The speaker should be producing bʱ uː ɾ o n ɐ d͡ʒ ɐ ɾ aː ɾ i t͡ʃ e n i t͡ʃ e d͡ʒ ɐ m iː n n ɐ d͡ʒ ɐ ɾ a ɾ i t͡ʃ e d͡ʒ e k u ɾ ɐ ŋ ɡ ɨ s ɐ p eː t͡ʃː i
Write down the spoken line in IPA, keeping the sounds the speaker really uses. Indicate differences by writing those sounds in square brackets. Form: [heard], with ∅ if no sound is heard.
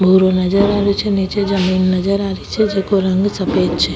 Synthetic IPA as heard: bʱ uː ɾ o n ɐ d͡ʒ ɐ ɾ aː ɾ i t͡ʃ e n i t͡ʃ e d͡ʒ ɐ m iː n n ɐ d͡ʒ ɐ ɾ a ɾ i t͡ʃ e d͡ʒ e k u ɾ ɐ ŋ ɡ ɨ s ɐ p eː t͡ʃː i

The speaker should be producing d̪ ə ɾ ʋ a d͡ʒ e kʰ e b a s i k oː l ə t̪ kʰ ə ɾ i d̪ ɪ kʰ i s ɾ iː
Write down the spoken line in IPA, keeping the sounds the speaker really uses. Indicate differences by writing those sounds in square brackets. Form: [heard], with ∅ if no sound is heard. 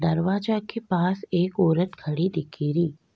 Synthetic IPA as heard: d̪ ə ɾ ʋ a d͡ʒ [a] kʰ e [p] a s [e] k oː [ɾ] ə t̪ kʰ ə [ɽ] i d̪ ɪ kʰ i [∅] ɾ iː

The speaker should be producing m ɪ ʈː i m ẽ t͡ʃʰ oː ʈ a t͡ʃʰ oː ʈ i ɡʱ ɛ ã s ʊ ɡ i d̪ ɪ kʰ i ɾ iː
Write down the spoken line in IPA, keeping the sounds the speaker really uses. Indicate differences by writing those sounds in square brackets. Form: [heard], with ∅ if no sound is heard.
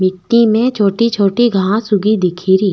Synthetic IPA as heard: m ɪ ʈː i m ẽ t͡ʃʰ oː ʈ [i] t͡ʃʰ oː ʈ i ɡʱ [a] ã s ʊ ɡ i d̪ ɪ kʰ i ɾ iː

